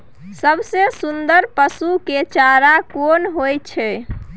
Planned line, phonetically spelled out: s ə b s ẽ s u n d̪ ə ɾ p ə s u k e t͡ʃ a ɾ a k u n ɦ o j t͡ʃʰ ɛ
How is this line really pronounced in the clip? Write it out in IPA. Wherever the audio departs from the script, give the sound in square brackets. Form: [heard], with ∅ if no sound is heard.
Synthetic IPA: s ə b s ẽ s u n d̪ ə ɾ p ə s u k e t͡ʃ a ɾ a k [o] n ɦ o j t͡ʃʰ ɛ